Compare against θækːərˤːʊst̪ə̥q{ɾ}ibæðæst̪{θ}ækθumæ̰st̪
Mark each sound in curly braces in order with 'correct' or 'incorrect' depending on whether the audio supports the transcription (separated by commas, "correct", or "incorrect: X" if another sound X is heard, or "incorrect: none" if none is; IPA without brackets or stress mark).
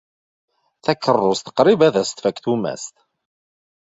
correct, incorrect: f